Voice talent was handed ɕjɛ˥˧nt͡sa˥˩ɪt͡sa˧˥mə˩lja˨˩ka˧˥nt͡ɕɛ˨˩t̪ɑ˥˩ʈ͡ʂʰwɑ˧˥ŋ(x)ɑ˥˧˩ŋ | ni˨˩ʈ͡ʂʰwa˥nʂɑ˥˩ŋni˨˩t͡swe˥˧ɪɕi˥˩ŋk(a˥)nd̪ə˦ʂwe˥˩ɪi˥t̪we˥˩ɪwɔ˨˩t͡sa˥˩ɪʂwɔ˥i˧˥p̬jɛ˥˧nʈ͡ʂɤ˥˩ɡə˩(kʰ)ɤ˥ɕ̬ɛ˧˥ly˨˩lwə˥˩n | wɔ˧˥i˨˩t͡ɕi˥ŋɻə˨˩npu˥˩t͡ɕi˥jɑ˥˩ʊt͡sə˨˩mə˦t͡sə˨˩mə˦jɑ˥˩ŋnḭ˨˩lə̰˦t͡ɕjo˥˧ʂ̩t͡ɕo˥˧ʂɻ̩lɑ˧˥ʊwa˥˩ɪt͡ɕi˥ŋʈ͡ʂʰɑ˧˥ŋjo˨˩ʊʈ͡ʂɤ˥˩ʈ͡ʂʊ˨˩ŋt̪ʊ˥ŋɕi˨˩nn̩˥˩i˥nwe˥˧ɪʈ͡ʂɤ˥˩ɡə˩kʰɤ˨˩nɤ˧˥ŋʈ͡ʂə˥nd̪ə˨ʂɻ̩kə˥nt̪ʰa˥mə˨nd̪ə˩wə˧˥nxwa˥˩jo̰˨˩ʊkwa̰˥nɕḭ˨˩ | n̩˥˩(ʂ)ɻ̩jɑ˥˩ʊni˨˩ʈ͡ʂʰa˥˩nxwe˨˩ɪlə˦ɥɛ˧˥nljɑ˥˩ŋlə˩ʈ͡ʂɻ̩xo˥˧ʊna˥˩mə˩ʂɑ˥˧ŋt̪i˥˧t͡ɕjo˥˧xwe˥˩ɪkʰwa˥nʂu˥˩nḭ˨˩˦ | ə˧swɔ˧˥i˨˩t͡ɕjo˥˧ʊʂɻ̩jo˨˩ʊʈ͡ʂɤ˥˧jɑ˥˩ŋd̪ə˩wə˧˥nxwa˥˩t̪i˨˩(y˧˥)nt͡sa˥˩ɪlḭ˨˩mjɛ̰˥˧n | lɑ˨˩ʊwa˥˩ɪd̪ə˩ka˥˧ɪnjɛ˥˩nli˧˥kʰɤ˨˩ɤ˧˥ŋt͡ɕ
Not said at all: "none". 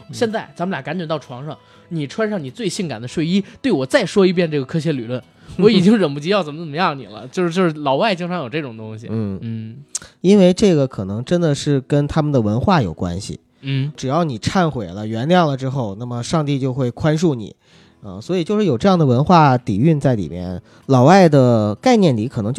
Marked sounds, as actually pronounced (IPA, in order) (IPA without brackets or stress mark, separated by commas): ʂ, a˨˩, kʰ, ʈ͡ʂ, y˥˧